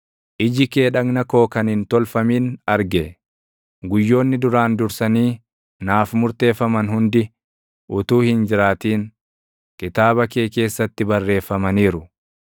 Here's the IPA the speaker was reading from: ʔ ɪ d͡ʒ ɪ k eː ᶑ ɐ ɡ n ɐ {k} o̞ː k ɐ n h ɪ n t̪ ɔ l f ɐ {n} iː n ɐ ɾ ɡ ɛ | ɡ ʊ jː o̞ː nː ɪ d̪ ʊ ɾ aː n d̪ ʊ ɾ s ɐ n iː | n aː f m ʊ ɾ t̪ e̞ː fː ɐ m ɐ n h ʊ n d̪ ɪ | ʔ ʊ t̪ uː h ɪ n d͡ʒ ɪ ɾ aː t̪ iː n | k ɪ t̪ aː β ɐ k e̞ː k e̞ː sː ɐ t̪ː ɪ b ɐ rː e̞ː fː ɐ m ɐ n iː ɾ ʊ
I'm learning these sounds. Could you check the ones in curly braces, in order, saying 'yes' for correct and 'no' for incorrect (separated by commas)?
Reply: yes, no